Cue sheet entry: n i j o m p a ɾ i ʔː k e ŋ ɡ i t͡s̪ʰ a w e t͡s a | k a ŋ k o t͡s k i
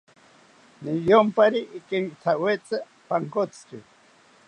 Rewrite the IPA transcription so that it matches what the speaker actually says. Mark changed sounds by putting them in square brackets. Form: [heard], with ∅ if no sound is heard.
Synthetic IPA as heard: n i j o m p a ɾ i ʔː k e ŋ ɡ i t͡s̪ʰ a w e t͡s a | [p] a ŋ k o t͡s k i

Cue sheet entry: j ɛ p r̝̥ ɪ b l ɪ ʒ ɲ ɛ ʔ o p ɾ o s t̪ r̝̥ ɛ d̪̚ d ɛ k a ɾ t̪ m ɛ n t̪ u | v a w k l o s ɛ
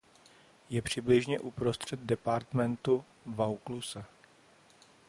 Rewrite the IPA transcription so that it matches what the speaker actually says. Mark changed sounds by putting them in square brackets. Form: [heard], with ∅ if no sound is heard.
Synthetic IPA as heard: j ɛ p r̝̥ ɪ b l ɪ ʒ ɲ ɛ ʔ [u] p ɾ o s t̪ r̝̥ ɛ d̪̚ d ɛ [p] a ɾ t̪ m ɛ n t̪ u | v a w k l [u] s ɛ

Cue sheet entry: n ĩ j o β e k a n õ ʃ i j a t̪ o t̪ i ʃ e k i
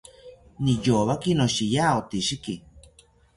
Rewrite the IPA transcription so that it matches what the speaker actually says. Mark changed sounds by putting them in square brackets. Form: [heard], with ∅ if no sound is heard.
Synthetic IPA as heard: n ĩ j o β [a] k [i] n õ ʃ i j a [∅] o t̪ i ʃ [i] k i

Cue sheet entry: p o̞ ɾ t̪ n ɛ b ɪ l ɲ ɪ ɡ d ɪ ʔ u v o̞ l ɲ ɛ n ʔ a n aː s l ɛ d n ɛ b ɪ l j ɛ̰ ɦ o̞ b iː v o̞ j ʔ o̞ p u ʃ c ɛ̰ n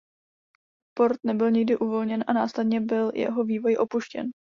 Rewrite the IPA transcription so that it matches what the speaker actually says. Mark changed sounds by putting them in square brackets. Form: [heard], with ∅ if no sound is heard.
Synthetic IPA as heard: p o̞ ɾ t̪ n ɛ b ɪ l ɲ ɪ ɡ d ɪ ʔ u v o̞ l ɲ ɛ n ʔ a n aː s l ɛ d [ɲ] ɛ b ɪ l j ɛ̰ ɦ o̞ [v] iː v o̞ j ʔ o̞ p u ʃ c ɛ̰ n

